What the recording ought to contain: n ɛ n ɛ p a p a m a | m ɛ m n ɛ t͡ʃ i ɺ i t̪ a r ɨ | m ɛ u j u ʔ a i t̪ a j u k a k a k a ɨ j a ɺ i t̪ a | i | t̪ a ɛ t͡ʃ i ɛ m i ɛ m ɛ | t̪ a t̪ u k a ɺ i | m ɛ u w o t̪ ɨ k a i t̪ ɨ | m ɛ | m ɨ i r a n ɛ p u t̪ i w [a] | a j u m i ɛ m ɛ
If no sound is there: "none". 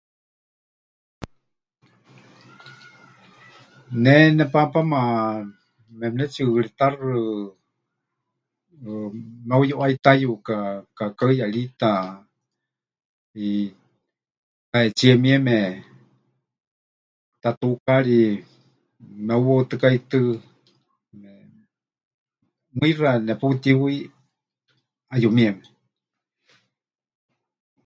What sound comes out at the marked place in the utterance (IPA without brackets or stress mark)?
i